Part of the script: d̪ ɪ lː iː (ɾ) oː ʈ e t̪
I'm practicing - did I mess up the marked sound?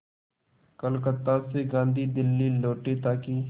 yes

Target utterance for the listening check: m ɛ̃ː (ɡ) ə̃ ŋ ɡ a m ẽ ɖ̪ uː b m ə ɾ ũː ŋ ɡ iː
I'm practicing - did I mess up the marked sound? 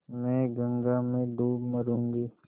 no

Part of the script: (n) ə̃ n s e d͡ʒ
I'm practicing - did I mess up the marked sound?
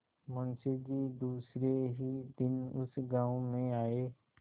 yes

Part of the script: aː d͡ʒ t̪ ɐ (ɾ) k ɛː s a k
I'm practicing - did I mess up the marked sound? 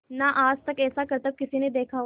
yes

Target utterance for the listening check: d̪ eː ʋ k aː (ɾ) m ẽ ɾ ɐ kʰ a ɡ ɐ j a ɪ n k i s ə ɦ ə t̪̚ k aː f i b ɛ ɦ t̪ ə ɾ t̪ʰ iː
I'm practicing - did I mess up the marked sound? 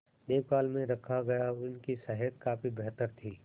yes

